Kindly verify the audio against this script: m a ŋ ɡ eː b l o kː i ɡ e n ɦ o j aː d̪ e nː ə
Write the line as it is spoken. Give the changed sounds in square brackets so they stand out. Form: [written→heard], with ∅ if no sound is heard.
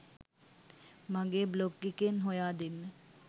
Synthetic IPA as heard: m a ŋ ɡ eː b l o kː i [ɡ→k] e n ɦ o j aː d̪ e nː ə